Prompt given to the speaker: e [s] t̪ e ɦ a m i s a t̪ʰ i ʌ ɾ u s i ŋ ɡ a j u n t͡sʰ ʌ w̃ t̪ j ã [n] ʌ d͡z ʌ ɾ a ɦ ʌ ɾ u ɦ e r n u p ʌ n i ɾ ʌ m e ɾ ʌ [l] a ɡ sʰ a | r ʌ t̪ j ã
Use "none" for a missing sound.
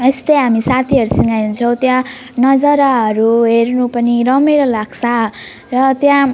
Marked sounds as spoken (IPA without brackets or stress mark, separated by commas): s, n, l